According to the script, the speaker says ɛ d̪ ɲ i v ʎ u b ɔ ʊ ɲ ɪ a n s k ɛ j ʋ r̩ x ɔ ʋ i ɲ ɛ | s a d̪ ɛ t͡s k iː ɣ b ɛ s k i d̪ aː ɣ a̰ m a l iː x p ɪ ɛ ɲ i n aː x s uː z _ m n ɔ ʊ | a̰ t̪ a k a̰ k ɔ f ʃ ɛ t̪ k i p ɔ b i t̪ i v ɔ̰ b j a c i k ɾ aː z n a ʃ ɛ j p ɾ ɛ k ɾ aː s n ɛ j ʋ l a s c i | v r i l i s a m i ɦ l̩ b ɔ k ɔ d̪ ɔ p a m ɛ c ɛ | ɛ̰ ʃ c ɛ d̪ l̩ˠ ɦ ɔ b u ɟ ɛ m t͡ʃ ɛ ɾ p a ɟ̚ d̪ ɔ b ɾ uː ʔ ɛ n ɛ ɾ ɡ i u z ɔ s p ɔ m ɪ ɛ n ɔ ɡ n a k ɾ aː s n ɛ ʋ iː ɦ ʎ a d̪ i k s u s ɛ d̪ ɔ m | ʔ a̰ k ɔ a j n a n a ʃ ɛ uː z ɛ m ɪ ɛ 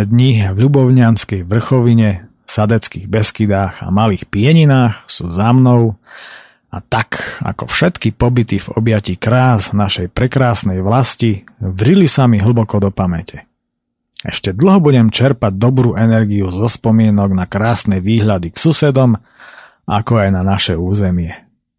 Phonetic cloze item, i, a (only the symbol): a